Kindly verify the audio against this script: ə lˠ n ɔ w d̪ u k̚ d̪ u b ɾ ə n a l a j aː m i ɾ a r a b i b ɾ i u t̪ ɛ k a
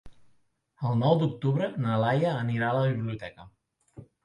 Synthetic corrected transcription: ə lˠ n ɔ w d̪ u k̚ t̪ u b ɾ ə n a l a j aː n i ɾ a l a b i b l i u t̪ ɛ k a

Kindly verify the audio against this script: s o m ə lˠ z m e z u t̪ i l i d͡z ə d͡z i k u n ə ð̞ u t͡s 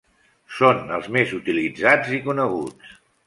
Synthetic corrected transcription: s o n ə lˠ z m e z u t̪ i l i d͡z a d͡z i k u n ə ɣ̞ u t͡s

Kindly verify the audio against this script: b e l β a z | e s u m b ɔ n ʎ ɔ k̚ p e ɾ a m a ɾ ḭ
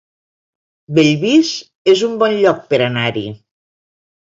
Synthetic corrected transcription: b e ʎ β i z | e z u m b ɔ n ʎ ɔ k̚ p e ɾ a n a ɾ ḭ

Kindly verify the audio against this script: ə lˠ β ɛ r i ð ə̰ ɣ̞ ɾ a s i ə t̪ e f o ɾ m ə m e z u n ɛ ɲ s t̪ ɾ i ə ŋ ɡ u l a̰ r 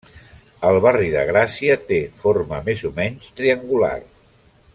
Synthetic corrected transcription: ə lˠ β a r i ð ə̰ ɣ̞ ɾ a s i ə t̪ e f o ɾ m ə m e z u m ɛ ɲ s t̪ ɾ i ə ŋ ɡ u l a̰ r

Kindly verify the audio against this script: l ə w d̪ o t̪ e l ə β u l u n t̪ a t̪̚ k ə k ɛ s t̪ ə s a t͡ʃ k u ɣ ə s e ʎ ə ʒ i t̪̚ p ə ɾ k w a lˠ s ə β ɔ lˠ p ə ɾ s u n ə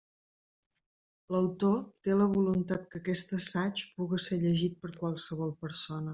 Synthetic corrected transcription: l ə w t̪ o t̪ e l ə β u l u n t̪ a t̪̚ k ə k ɛ s t̪ ə s a t͡ʃ p u ɣ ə s e ʎ ə ʒ i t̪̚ p ə ɾ k w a lˠ s ə β ɔ lˠ p ə ɾ s o n ə

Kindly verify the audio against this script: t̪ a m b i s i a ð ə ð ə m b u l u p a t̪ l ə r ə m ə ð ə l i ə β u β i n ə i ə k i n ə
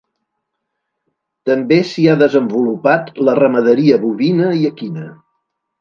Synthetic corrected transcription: t̪ ə m b e s i a ð ə z ə m b u l u p a t̪ l ə r ə m ə ð ə ɾ i ə β u β i n ə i ə k i n ə

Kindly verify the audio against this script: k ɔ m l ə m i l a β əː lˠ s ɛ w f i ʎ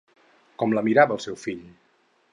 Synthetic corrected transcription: k ɔ m l ə m i ɾ a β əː lˠ s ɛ w f i ʎ

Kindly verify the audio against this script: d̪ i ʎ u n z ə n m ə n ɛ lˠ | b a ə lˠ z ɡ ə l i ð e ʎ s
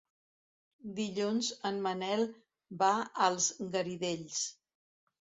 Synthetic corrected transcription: d̪ i ʎ u n z ə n m ə n ɛ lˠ | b a ə lˠ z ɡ ə ɾ i ð e ʎ s

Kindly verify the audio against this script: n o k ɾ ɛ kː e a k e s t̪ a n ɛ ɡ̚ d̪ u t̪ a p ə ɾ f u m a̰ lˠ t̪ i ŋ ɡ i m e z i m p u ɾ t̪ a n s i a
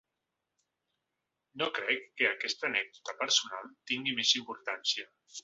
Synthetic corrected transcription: n o k ɾ ɛ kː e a k ɛ s t̪ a n ɛ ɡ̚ d̪ u t̪ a p ə ɾ s u n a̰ lˠ t̪ i ŋ ɡ i m e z i m p u ɾ t̪ a n s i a

